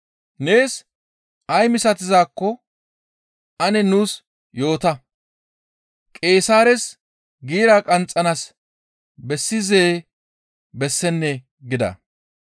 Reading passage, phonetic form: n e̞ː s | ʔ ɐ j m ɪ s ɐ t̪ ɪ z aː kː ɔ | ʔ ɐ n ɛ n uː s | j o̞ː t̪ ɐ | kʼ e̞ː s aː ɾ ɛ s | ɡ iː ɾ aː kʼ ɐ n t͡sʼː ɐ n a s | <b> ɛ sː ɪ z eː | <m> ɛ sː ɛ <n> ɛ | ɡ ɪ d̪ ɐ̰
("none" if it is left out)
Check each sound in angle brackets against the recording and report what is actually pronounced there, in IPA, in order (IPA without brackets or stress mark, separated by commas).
b, b, nː